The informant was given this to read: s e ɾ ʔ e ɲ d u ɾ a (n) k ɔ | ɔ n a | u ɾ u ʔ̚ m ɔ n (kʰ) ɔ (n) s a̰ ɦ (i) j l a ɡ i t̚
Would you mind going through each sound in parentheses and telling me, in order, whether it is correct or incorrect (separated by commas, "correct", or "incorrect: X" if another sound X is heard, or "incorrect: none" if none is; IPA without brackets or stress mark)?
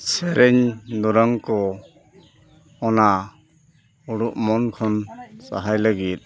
incorrect: ŋ, correct, correct, incorrect: a